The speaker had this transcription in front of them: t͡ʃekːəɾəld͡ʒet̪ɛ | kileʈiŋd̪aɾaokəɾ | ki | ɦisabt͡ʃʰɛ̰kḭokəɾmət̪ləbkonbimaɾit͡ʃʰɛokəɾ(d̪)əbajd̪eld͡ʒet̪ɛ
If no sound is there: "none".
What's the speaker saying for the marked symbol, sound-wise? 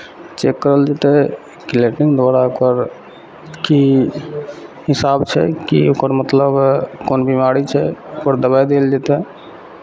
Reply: d̪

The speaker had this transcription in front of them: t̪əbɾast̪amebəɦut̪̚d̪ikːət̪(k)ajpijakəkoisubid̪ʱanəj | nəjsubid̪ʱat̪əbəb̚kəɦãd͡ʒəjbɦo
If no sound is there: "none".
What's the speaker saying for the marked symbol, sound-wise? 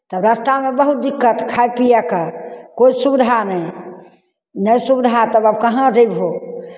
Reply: kʰ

